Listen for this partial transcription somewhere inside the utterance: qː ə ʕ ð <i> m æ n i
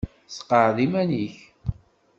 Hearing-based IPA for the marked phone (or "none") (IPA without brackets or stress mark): i